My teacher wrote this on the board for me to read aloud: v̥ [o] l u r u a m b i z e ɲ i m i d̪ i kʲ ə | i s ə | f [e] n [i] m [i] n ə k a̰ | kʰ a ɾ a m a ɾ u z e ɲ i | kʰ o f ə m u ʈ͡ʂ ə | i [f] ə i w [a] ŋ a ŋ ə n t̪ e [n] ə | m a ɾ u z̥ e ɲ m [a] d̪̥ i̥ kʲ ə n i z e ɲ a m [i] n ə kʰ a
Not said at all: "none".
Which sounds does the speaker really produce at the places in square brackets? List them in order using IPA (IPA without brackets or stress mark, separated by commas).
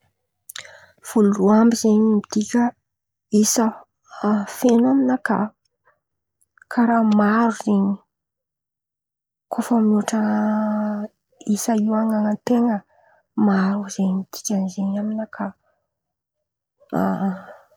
u, e, a, i, s, a, ŋ, i, i